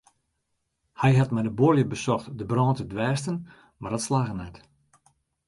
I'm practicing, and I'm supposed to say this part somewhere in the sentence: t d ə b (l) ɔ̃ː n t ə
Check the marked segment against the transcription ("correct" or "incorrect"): incorrect